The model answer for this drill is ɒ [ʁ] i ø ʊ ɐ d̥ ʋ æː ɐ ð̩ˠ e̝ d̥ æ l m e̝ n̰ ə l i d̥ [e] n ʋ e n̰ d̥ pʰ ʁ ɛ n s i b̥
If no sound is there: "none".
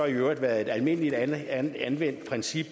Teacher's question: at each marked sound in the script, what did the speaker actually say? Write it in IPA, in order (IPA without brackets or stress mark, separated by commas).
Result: none, æ